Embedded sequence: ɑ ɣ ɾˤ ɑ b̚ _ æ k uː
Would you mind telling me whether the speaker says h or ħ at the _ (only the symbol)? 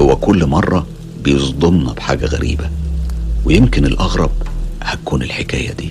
h